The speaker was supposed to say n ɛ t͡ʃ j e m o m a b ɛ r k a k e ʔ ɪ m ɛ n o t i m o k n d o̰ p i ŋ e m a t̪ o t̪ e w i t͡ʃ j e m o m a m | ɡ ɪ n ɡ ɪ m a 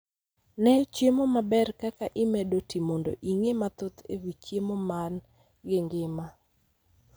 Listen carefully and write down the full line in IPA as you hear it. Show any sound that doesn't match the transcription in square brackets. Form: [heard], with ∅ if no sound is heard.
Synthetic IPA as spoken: n ɛ t͡ʃ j e m o m a b ɛ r k a k [a] ʔ ɪ m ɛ [d] o t i m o [∅] n d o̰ [ʔ] i ŋ e m a t̪ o t̪ e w i t͡ʃ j e m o m a [n] | ɡ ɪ [ŋ] ɡ ɪ m a